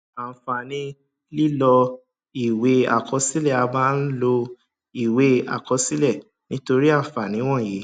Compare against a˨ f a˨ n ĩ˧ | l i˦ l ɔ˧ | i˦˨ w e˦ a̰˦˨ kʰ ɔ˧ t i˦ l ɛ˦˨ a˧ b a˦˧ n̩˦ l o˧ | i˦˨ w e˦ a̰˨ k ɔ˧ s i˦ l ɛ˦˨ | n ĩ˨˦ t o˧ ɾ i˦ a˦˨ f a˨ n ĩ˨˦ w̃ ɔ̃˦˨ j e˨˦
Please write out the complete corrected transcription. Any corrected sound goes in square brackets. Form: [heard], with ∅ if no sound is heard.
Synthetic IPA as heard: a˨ f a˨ n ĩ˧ | l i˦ l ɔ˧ | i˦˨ w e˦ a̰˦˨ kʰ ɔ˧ [s] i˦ l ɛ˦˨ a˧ b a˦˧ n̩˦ l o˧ | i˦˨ w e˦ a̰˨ k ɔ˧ s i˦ l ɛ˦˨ | n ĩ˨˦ t o˧ ɾ i˦ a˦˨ f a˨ n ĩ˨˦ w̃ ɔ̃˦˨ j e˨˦